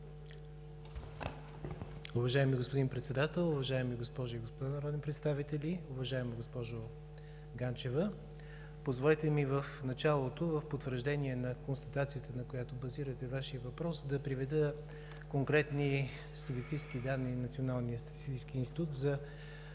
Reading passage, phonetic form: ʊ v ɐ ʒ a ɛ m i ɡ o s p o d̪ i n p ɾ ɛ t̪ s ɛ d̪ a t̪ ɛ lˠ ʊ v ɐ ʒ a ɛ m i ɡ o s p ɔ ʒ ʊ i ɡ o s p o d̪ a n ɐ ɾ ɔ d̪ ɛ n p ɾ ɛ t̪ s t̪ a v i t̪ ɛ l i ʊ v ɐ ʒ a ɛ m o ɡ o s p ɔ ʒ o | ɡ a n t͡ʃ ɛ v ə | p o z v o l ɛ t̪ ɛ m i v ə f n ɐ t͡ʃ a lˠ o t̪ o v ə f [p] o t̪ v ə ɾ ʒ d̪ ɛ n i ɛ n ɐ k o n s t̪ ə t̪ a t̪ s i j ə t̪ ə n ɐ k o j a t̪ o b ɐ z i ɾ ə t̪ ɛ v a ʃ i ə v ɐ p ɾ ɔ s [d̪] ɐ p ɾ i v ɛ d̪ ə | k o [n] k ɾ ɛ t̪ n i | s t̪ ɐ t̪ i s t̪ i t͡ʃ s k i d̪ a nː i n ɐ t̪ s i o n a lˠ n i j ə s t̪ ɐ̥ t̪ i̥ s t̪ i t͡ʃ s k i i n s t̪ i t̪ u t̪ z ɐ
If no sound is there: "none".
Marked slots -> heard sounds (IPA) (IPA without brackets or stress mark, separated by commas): p, d̪, ŋ